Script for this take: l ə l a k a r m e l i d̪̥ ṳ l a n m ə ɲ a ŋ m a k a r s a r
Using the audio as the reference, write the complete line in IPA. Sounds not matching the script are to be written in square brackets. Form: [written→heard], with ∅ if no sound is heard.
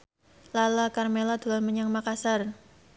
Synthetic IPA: l [ə→a] l a k a r m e l [i→a] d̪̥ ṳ l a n m ə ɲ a ŋ m a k a [r→∅] s a r